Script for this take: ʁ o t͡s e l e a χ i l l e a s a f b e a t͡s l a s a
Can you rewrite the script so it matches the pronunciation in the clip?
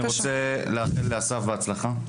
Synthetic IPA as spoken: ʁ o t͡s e l e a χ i l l e a s a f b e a t͡s l a χ a